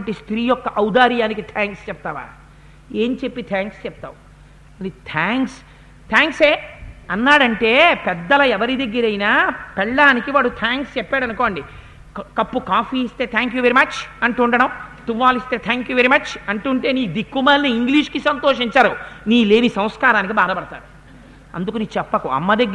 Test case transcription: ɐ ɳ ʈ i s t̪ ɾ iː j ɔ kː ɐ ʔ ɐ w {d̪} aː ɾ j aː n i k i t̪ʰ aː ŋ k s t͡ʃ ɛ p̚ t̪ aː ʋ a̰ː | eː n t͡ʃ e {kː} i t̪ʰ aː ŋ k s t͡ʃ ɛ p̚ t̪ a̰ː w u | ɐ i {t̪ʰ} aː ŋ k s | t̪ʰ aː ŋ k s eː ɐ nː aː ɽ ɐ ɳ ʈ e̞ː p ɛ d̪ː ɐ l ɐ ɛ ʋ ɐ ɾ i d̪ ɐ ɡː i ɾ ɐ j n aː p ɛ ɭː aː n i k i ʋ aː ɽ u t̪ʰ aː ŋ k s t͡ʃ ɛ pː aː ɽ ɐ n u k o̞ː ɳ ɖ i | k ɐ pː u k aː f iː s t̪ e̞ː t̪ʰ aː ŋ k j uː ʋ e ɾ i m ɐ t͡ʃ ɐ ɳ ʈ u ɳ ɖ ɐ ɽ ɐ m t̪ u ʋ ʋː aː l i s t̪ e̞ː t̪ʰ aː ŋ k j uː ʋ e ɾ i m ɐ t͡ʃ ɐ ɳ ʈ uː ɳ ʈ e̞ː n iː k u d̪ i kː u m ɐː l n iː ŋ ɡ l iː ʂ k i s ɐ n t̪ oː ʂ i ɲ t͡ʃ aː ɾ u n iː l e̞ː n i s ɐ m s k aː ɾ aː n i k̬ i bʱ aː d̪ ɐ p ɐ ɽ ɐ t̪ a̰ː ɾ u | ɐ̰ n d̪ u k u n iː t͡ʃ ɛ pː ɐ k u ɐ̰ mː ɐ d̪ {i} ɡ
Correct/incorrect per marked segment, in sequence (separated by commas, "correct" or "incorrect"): correct, incorrect, correct, incorrect